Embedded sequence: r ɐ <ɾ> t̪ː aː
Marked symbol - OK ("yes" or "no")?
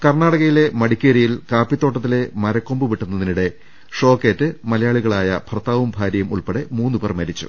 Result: no